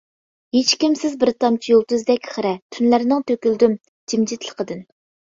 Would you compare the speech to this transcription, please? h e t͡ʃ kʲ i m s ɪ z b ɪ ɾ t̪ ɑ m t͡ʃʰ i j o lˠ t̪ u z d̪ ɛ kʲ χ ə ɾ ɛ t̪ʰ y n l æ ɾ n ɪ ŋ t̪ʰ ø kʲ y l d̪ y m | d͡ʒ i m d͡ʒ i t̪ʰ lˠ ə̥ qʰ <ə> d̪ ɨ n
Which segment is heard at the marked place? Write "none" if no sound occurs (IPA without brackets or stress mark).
ə